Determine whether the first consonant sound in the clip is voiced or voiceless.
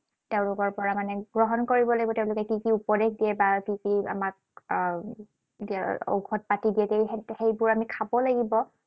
voiceless